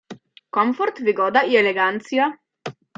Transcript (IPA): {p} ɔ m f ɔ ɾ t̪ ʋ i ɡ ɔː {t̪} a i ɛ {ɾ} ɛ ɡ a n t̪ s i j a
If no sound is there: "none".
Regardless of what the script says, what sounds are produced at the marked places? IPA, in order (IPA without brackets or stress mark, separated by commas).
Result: k, d̪, l